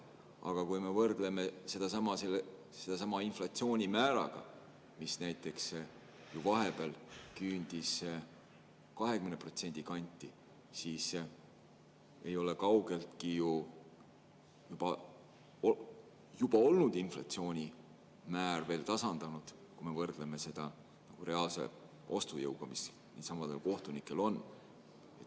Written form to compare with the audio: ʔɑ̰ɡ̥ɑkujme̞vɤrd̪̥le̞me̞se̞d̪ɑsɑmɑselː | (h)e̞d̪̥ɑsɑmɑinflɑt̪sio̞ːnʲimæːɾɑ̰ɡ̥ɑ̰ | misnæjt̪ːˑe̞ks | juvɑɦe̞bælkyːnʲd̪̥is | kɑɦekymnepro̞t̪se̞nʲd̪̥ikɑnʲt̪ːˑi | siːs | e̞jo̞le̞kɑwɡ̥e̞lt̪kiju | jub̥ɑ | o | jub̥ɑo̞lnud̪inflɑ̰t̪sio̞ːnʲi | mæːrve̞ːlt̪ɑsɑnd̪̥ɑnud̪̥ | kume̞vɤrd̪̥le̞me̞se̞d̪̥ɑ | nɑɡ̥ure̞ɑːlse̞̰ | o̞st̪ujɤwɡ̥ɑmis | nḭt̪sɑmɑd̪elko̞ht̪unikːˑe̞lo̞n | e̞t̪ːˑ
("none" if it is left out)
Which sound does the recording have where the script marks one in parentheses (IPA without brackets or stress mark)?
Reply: s